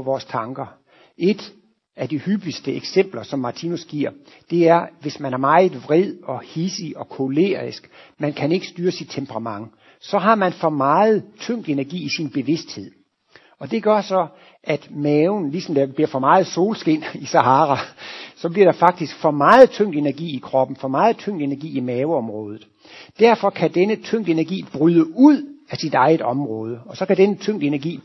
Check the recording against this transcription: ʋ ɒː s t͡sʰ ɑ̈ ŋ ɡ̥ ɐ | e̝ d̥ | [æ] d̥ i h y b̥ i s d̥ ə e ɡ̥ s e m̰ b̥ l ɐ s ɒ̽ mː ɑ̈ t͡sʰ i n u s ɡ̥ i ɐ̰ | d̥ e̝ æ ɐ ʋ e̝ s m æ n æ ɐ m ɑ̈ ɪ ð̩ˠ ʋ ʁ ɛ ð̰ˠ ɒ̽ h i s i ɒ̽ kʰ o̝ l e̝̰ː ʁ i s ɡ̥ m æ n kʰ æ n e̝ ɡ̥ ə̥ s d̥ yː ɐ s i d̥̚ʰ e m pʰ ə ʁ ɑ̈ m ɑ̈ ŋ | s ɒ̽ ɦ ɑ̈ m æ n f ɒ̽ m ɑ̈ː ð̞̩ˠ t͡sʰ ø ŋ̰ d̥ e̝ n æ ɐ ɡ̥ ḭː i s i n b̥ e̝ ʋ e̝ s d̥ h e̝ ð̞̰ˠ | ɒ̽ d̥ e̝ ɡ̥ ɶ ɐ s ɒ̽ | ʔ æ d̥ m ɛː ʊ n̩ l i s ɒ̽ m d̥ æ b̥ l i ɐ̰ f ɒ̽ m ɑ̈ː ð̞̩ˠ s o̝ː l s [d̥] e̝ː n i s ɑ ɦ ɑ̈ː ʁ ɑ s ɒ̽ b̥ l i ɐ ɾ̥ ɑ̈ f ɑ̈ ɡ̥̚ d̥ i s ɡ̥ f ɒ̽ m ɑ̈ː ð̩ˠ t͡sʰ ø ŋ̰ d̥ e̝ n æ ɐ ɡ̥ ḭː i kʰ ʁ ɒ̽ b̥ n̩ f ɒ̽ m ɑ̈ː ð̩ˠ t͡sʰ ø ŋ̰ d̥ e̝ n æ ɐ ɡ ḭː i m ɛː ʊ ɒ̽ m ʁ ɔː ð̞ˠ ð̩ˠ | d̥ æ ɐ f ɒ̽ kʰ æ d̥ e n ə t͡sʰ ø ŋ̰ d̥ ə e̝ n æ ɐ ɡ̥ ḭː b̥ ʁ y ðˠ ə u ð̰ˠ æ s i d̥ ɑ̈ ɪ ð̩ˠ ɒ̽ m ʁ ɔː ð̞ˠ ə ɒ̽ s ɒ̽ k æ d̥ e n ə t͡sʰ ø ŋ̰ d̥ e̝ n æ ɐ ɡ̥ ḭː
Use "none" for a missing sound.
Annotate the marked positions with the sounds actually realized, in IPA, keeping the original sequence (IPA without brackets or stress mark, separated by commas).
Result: æ, ɡ̥